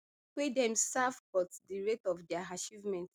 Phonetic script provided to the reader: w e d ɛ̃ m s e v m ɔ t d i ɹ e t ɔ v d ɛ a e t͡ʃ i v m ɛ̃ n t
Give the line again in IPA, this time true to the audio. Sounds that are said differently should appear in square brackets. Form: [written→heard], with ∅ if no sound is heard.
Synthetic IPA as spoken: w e d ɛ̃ m s [e→a] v [m→b] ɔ t d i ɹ e t ɔ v d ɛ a [e→a] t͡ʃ i v m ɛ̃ n t